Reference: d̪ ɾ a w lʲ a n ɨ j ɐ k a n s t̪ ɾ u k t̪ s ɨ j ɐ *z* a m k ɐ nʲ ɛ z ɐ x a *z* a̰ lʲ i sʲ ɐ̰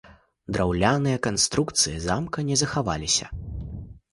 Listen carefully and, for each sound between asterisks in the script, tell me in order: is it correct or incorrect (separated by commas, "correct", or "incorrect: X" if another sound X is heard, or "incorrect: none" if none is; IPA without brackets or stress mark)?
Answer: correct, incorrect: v